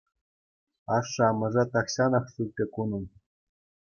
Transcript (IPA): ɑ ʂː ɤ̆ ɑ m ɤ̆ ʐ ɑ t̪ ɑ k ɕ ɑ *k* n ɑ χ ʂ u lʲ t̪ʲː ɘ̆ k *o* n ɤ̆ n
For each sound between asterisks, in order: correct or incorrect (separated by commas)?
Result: incorrect, incorrect